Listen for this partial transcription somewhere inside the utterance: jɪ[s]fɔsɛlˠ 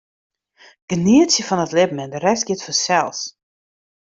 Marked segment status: incorrect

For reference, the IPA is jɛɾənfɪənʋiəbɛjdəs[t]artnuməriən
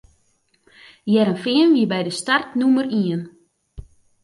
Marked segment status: correct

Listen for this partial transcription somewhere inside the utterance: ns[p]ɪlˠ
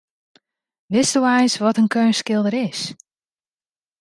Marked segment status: incorrect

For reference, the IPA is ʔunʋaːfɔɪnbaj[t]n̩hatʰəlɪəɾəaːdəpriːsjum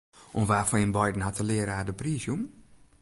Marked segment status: incorrect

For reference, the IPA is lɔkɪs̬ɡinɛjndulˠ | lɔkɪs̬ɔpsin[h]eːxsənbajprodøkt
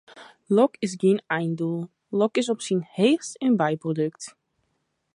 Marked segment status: correct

